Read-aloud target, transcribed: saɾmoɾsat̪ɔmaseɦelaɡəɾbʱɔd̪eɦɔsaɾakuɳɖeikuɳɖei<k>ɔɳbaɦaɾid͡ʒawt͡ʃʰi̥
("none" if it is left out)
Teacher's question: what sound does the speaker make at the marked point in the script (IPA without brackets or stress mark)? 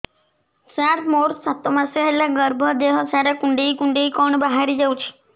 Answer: k